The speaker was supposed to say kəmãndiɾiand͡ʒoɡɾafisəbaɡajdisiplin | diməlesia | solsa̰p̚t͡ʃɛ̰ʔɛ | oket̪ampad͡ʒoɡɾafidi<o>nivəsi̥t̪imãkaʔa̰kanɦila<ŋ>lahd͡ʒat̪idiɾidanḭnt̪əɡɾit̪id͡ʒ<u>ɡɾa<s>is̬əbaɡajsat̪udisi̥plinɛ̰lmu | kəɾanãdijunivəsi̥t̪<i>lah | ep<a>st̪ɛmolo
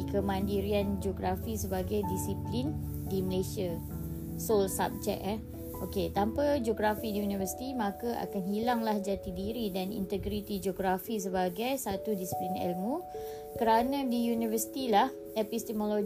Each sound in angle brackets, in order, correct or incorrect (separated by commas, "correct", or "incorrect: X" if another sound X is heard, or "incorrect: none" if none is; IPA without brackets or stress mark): incorrect: u, correct, incorrect: o, incorrect: f, correct, incorrect: i